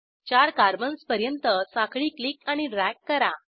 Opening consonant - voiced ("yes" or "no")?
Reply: no